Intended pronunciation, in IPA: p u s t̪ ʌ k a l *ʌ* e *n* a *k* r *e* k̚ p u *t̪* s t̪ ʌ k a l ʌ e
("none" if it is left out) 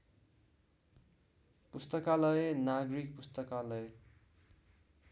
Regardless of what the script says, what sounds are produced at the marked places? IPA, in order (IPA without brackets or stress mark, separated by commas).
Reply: ʌ, n, ɡ, i, none